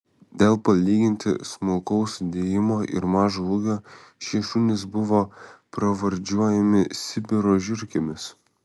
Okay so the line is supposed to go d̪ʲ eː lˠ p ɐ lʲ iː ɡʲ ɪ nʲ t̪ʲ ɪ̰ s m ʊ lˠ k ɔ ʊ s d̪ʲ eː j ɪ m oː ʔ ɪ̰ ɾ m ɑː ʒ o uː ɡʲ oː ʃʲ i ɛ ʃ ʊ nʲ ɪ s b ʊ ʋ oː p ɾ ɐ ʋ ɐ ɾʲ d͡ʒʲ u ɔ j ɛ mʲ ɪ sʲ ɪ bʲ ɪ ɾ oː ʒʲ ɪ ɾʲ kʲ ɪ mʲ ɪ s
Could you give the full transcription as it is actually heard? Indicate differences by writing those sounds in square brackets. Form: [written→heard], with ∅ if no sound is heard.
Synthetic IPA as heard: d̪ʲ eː lˠ p ɐ lʲ iː ɡʲ ɪ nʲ t̪ʲ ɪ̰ s m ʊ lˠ k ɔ ʊ s d̪ʲ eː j ɪ m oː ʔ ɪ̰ ɾ m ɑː ʒ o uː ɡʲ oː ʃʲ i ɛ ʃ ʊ nʲ ɪ s b ʊ ʋ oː p ɾ ɐ ʋ ɐ ɾʲ d͡ʒʲ u ɔ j ɛ mʲ ɪ sʲ ɪ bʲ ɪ ɾ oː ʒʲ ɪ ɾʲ kʲ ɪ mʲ ɪ s